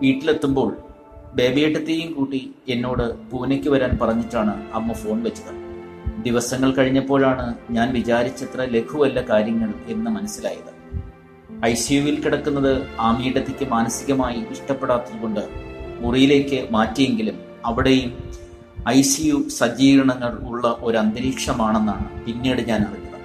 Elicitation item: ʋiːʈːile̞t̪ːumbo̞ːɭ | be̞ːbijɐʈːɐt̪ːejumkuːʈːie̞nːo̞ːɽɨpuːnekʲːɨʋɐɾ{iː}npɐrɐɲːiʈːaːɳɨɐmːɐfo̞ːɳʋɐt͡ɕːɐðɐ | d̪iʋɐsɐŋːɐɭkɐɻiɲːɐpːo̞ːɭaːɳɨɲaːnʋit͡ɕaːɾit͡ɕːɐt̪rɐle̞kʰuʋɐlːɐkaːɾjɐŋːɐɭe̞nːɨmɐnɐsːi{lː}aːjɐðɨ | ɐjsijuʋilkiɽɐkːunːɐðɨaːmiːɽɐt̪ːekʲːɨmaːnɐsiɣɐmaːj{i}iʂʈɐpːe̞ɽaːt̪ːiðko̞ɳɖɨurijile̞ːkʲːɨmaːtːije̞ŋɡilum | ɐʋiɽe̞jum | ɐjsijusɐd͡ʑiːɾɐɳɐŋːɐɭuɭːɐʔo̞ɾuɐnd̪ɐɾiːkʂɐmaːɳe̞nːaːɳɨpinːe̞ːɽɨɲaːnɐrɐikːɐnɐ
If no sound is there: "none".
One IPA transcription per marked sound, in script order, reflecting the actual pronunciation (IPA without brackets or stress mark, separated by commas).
aː, l, i